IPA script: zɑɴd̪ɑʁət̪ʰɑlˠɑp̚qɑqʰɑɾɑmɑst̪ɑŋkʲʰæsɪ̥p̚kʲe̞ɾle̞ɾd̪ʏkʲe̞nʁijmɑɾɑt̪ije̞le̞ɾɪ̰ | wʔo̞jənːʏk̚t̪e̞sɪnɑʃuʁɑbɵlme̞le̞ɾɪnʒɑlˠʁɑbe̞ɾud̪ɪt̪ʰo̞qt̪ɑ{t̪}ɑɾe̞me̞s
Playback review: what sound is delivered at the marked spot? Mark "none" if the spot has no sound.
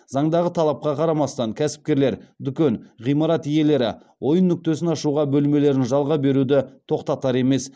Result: t̪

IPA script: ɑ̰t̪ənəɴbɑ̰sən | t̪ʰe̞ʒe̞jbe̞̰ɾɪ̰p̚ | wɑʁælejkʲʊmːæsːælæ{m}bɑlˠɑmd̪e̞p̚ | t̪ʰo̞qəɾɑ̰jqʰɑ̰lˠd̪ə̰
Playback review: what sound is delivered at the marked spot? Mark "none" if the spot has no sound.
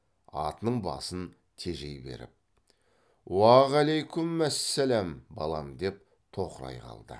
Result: m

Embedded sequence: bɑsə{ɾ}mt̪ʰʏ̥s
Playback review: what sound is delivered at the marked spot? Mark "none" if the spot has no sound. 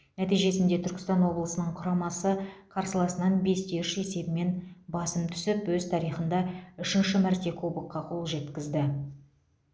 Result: none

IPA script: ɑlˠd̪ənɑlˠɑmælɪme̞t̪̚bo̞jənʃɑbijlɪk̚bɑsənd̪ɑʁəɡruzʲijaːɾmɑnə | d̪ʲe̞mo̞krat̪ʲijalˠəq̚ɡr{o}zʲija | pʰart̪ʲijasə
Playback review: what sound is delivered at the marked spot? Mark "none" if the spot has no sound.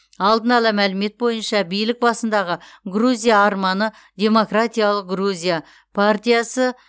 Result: u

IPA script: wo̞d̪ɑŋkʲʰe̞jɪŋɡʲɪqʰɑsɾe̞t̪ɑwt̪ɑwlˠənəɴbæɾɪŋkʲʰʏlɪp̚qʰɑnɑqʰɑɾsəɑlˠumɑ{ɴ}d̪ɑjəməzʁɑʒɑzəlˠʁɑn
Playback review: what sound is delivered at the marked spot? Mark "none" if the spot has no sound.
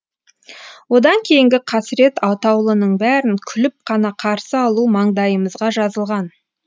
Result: ɴ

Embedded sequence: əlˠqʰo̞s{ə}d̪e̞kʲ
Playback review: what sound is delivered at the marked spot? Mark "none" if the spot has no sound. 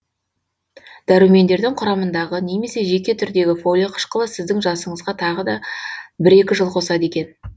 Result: ɑ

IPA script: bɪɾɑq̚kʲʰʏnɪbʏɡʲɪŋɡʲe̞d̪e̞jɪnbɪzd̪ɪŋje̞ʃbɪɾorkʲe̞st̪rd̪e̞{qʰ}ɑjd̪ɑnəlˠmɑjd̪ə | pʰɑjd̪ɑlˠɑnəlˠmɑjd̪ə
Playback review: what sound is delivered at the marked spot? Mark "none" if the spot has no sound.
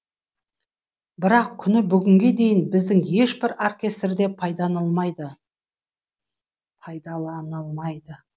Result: pʰ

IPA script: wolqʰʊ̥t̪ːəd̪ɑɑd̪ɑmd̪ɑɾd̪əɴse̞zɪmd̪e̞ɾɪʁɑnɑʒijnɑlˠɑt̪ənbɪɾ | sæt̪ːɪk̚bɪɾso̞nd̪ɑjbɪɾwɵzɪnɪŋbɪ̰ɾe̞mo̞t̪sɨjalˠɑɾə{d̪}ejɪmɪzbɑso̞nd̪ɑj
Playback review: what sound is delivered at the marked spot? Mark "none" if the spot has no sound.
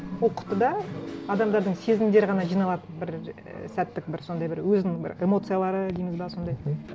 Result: d̪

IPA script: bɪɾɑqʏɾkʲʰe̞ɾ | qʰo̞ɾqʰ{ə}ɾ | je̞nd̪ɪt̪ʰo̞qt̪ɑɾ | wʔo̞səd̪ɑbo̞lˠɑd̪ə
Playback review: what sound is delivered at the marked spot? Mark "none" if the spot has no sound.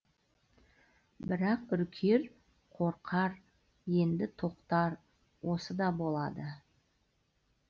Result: ɑ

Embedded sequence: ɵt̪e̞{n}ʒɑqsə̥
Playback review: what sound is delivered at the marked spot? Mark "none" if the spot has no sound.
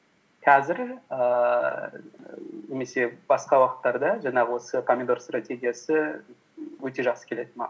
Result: none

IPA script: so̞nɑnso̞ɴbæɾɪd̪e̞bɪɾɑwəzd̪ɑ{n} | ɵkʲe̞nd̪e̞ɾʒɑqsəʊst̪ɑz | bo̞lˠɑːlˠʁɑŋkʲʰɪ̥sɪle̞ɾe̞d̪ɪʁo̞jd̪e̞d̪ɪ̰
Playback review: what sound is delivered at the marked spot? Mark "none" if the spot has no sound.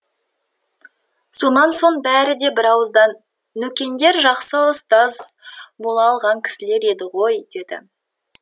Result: nː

